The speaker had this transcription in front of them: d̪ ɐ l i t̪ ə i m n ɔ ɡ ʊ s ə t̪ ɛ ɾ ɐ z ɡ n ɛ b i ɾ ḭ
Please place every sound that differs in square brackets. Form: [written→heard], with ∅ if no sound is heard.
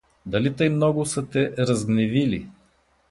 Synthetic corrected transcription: d̪ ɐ l i t̪ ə [i→j] m n ɔ ɡ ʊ s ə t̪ ɛ ɾ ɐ z ɡ n ɛ [b→v] i [ɾ→l] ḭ